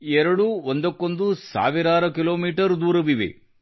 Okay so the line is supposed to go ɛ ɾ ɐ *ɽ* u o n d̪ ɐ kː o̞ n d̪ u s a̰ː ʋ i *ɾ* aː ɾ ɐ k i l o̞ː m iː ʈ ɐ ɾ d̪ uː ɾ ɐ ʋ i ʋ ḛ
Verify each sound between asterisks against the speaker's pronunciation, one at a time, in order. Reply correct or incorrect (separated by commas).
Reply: correct, correct